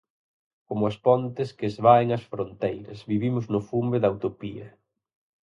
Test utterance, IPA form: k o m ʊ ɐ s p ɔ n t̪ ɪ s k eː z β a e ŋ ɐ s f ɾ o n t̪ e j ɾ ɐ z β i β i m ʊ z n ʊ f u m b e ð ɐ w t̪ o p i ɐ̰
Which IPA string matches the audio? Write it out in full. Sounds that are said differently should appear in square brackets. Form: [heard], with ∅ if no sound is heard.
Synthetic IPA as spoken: k o m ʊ ɐ s p ɔ n t̪ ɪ s k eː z β a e ŋ ɐ s f ɾ o n t̪ e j ɾ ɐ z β i β i m ʊ z n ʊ f u m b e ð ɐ w t̪ o p i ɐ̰